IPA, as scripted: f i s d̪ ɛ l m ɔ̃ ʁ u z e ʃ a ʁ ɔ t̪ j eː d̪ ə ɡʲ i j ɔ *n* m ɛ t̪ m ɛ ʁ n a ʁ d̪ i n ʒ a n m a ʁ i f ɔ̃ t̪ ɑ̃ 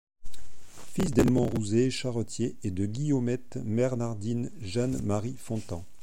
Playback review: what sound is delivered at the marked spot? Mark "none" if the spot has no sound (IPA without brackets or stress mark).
none